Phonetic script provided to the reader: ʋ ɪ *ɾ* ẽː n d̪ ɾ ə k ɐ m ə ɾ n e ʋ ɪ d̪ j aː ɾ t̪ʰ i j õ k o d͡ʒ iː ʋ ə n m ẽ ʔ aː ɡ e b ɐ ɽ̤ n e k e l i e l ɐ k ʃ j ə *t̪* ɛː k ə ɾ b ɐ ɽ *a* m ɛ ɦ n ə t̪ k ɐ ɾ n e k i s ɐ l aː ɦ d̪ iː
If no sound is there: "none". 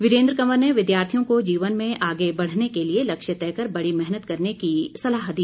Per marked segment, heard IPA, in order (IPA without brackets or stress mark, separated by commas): ɾ, t̪, i